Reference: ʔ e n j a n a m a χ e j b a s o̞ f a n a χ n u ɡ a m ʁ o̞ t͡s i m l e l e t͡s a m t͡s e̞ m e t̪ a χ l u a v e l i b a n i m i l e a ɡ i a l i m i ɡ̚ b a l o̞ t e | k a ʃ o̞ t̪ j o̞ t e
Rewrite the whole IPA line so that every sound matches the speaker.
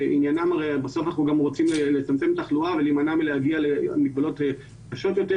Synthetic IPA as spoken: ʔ i n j a n a m a ʁ e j b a s o̞ f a n a χ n u ɡ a m ʁ o̞ t͡s i m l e l e t͡s a m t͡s e̞ m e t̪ a χ l u a v e l i m a n a m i l e a ɡ i a l e m i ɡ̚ b a l o̞ t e | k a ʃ o̞ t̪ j o̞ t e